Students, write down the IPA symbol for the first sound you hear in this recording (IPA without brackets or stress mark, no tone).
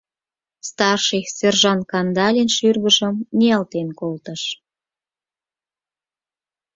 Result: s